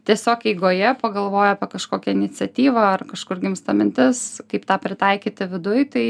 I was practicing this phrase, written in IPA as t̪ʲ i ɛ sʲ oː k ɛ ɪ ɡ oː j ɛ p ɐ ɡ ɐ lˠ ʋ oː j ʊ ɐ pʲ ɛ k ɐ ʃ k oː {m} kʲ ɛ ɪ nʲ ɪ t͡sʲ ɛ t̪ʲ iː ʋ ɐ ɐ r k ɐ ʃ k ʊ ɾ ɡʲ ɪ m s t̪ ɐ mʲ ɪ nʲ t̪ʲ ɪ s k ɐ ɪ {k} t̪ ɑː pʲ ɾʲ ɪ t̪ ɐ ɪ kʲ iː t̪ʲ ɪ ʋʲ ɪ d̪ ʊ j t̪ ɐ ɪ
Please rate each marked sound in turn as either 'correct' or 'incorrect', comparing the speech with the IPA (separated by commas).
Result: incorrect, incorrect